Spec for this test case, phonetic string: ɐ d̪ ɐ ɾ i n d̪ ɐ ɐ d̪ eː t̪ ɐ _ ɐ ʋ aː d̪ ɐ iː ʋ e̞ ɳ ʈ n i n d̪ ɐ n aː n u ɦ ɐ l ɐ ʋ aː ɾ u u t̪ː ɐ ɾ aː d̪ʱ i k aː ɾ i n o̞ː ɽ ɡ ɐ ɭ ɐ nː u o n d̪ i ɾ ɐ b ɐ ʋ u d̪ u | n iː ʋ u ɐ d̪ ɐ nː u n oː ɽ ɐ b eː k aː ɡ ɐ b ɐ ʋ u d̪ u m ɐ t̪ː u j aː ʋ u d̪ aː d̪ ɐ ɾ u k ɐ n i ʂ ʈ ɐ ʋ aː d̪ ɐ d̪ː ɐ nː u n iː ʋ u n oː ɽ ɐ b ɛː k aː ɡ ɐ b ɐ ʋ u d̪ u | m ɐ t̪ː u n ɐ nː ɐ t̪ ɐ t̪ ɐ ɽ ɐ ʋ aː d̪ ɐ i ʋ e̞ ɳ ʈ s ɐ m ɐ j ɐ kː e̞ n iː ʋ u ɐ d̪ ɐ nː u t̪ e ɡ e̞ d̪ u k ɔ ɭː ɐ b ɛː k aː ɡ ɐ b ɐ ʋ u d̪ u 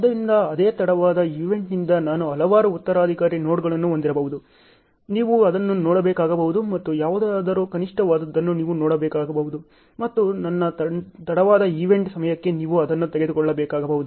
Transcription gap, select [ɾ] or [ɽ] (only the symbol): ɽ